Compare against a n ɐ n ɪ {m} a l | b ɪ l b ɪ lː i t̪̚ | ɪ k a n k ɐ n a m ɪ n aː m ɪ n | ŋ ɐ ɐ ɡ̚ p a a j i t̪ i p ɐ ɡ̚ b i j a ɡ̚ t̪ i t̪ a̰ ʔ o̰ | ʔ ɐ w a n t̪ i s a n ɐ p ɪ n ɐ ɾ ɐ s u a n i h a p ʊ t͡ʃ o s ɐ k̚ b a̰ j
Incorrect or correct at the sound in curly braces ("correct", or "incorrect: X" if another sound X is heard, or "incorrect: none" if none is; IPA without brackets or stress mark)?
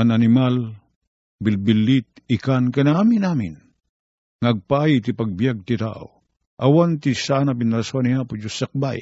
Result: correct